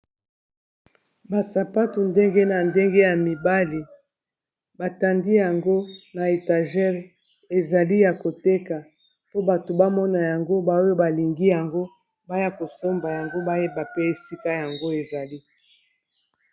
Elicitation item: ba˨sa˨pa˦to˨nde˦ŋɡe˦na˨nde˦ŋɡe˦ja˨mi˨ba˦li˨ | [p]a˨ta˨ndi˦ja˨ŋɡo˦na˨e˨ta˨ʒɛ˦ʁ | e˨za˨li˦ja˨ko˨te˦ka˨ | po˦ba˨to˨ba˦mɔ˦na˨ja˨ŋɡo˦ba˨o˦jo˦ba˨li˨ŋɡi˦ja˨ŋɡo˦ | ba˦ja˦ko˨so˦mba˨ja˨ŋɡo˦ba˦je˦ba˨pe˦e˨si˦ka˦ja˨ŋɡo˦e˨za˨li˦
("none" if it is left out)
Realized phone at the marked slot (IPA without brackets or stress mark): b